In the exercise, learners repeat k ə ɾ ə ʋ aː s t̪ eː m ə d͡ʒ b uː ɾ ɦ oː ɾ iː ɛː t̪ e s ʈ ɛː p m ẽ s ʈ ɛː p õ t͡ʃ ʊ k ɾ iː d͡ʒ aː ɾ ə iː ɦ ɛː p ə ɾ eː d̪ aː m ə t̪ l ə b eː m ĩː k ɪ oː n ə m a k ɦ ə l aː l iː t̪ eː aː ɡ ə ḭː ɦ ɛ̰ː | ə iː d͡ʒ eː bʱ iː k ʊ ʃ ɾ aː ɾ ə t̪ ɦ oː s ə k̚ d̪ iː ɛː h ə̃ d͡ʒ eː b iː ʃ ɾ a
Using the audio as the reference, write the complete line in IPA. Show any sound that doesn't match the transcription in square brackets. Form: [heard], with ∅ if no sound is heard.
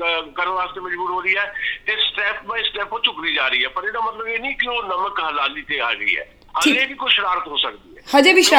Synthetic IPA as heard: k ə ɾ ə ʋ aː s t̪ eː m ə d͡ʒ b uː ɾ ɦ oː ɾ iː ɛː t̪ e s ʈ ɛː p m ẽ s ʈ ɛː p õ t͡ʃ ʊ k ɾ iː d͡ʒ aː ɾ ə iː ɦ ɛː p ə ɾ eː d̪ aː m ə t̪ l ə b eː [n] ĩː k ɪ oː n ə m [ə] k ɦ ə l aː l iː t̪ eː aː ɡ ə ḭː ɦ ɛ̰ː | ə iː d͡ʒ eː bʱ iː k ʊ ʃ ɾ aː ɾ ə t̪ ɦ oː s ə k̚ d̪ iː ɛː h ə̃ d͡ʒ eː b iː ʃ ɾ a